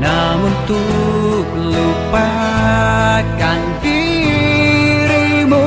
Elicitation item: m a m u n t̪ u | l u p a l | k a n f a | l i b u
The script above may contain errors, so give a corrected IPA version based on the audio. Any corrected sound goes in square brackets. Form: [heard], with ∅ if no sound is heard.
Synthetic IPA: [n] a m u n t̪ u | l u p a [∅] | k a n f [i] | [ɾ] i [m] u